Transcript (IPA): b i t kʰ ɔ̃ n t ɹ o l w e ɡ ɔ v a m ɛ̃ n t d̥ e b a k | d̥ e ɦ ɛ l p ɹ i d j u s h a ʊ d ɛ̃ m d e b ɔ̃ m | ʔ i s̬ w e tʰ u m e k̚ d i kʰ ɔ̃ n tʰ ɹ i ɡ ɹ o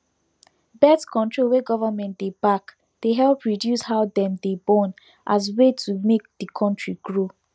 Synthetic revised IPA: b ɛ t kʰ ɔ̃ n t ɹ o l w e ɡ ɔ v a m ɛ̃ n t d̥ e b a k | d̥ e ɦ ɛ l p ɹ i d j u s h a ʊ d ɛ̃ m d e b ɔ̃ n | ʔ a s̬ w e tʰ u m e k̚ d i kʰ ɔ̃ n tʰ ɹ i ɡ ɹ o

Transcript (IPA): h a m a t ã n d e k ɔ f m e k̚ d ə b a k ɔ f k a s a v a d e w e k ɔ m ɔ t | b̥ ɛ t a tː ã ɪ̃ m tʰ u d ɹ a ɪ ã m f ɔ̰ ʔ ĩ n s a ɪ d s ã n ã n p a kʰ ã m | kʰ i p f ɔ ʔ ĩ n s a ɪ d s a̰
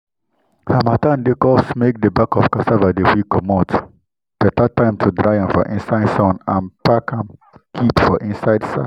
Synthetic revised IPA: h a m a t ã n d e k ɔ s m e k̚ d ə b a k ɔ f k a s a v a d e w i k ɔ m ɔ t | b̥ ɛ t a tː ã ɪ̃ m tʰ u d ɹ a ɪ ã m f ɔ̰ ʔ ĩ n s a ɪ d s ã n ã n p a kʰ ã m | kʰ i p f ɔ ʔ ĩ n s a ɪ d s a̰

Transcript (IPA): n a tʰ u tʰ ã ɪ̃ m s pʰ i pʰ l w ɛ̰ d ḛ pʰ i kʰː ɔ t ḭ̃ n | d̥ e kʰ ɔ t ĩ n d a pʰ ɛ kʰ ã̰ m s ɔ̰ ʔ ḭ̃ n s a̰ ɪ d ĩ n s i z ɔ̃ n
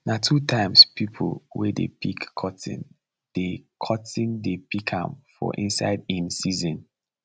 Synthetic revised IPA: n a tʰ u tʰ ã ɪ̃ m s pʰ i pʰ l w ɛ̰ d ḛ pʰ i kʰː ɔ t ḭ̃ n | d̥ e kʰ ɔ t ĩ n d e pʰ i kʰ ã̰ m f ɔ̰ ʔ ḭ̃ n s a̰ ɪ d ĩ n s i z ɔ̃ n

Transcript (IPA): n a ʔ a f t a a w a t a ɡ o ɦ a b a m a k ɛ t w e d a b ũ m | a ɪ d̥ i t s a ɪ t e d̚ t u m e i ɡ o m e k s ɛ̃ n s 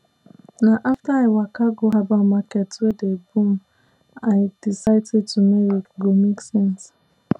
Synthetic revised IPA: n a ʔ a f t a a w a k a ɡ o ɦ a b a m a k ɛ t w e d e b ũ m | a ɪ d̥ i s a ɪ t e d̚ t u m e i ɡ o m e k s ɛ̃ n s

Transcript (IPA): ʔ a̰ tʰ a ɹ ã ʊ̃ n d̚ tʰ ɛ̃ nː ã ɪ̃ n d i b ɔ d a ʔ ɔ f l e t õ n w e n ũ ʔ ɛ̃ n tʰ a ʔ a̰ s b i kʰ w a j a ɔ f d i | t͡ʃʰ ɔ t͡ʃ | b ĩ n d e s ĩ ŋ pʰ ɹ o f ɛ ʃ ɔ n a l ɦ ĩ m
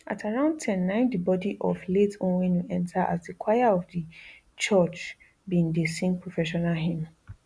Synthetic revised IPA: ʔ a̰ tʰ a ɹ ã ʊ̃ n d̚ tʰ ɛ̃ nː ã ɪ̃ n d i b ɔ d i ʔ ɔ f l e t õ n w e n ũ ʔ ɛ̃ n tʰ a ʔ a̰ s d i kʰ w a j a ɔ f d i | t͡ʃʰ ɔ t͡ʃ | b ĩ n d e s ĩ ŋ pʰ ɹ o f ɛ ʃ ɔ n a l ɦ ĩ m

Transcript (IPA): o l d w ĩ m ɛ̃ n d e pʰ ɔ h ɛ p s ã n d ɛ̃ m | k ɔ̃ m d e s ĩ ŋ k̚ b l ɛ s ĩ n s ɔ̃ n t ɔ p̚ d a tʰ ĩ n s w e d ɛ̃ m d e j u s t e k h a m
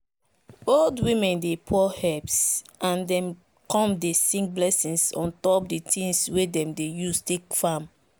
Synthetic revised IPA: o l d w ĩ m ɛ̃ n d e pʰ ɔ h ɛ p s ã n d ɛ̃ m | k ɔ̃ m d e s ĩ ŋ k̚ b l ɛ s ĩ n s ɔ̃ n t ɔ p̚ d i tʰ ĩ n s w e d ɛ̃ m d e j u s t e k f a m

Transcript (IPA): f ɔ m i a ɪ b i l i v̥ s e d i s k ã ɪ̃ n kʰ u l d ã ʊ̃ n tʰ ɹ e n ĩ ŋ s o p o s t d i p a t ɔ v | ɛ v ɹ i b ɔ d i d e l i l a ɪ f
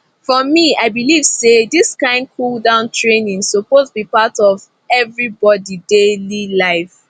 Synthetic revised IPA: f ɔ m i a ɪ b i l i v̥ s e d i s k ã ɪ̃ n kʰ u l d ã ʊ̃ n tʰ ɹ e n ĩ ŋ s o p o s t b i p a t ɔ v | ɛ v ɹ i b ɔ d i d e l i l a ɪ f

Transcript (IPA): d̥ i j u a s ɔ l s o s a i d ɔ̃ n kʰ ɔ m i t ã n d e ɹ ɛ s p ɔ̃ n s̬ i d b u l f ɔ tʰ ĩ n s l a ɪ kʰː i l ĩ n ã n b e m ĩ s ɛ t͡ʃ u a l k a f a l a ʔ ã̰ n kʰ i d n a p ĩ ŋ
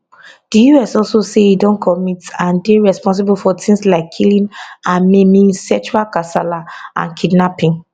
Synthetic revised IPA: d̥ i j u ɛ s ɔ l s o s e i d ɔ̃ n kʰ ɔ m i t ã n d e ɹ ɛ s p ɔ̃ n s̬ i b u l f ɔ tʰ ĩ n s l a ɪ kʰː i l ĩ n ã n m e m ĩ s ɛ t͡ʃ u a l k a s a l a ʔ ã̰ n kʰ i d n a p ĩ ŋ

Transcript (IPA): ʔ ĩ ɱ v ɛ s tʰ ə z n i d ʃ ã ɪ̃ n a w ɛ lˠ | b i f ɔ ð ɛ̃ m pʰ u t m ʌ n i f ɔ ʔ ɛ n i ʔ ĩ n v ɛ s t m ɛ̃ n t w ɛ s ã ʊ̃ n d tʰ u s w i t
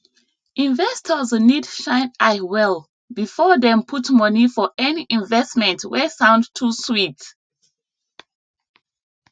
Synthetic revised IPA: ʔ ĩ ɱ v ɛ s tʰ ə z n i d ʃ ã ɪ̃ n a w ɛ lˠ | b i f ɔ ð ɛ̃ m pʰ u t m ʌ n i f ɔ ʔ ɛ n i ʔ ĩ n v ɛ s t m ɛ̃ n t w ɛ s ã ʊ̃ n d tʰ u s w i t

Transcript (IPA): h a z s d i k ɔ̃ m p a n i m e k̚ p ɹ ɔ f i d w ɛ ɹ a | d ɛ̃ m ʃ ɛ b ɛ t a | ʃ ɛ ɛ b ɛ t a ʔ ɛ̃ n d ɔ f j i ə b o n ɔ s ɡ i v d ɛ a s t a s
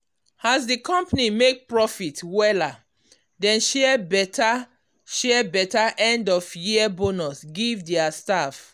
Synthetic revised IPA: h a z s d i k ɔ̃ m p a n i m e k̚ p ɹ ɔ f i t w ɛ l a | d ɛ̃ n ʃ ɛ b ɛ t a | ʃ ɛ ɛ b ɛ t a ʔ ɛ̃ n d ɔ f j i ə b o n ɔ s ɡ i v d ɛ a s t a f

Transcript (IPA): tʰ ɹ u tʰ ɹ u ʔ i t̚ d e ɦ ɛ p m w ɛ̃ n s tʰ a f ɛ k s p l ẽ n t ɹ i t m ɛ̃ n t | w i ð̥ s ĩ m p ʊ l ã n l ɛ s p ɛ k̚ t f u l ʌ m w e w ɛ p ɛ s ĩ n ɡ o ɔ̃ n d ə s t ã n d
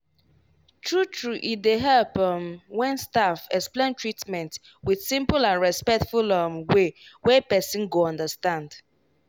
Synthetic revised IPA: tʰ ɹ u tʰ ɹ u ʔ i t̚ d e ɦ ɛ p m w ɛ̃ n s t a f ɛ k s p l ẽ n t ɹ i t m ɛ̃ n t | w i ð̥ s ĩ m p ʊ l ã n ɹ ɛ s p ɛ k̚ t f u l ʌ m w e w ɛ p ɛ s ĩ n ɡ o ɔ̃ n d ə s t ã n d

